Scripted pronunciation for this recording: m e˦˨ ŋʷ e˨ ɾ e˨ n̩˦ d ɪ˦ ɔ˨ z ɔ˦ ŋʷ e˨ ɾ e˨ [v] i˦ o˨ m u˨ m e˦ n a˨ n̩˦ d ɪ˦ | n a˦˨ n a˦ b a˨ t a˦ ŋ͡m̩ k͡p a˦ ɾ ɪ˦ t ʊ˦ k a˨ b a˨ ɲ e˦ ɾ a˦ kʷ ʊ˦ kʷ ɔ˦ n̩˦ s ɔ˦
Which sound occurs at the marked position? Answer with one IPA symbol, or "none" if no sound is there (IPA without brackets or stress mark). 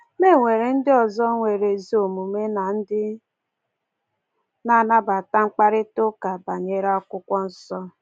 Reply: z